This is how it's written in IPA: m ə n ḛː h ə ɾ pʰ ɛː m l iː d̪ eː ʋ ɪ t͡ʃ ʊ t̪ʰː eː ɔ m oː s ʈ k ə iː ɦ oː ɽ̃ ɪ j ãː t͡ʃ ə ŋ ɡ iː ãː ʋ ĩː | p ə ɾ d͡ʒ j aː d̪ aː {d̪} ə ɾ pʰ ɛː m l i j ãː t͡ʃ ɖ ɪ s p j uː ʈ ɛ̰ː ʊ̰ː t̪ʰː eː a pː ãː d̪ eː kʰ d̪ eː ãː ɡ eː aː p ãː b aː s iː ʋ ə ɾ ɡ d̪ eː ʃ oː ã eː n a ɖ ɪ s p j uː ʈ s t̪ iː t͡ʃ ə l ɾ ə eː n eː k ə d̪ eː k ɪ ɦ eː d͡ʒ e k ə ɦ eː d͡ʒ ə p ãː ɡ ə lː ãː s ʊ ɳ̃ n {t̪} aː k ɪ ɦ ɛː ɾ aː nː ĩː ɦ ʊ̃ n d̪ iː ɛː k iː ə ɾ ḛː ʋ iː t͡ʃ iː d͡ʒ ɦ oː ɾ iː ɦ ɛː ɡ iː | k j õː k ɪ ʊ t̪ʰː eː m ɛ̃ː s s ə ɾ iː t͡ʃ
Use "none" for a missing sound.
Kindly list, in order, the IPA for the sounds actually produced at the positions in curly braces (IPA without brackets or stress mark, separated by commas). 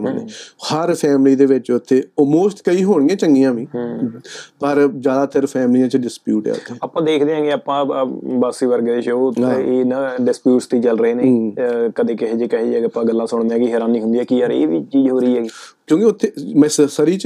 t̪, d̪